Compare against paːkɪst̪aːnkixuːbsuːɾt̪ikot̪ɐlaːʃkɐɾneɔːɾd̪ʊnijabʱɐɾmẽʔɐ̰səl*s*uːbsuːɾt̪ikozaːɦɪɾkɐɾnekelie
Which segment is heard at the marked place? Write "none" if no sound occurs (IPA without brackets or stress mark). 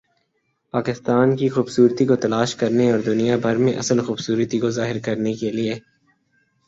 x